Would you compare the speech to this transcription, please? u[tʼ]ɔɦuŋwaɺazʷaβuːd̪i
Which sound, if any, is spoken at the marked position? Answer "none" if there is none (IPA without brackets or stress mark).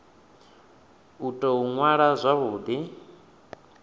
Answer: tʼ